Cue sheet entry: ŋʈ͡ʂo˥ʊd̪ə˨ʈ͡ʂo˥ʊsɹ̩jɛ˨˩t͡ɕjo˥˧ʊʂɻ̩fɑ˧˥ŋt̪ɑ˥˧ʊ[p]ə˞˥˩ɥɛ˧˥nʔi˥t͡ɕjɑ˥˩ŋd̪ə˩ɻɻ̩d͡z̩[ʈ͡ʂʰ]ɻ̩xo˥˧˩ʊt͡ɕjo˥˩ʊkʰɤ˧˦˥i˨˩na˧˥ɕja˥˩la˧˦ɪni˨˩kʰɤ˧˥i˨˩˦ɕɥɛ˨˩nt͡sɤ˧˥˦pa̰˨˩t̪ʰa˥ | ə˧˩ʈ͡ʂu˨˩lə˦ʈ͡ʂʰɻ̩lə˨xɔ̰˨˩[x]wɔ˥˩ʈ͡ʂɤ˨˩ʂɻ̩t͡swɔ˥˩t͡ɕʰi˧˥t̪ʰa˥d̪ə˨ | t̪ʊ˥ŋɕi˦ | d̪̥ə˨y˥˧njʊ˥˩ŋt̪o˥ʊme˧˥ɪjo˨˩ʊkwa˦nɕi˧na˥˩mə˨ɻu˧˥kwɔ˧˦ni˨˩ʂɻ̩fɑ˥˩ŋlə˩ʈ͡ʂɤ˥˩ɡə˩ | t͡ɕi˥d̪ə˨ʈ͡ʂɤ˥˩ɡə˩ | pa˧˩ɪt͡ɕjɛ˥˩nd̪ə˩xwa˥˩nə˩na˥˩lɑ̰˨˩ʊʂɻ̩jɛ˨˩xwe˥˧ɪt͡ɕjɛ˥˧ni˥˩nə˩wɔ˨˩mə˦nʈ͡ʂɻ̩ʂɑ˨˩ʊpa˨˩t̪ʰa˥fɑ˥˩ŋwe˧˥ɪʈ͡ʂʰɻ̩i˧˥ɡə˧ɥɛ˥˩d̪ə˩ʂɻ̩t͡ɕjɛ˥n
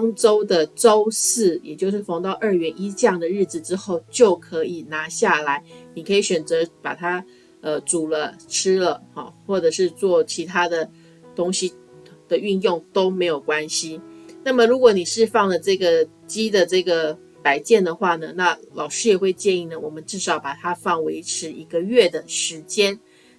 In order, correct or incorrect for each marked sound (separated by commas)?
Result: incorrect, incorrect, correct